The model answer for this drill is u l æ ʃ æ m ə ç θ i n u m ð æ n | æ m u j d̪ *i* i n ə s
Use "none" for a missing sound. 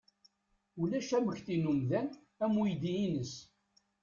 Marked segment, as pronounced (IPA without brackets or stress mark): i